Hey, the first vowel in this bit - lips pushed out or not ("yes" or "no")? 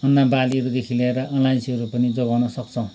no